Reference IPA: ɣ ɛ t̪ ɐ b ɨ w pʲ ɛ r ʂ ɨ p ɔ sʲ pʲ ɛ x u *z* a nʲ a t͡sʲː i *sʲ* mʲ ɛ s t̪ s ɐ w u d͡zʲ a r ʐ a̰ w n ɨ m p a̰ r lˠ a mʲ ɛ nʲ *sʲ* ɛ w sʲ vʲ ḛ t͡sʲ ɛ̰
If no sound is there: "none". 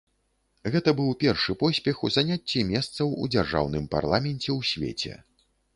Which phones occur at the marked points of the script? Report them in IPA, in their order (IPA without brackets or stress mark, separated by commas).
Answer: z, none, t͡sʲ